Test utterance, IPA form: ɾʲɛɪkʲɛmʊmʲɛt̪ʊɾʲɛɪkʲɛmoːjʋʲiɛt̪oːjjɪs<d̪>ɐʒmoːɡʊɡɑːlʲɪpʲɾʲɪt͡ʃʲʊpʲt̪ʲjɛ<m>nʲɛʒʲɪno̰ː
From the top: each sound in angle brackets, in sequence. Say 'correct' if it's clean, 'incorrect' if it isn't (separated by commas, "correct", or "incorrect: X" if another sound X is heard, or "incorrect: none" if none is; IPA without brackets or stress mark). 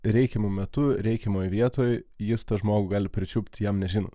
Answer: incorrect: t̪, correct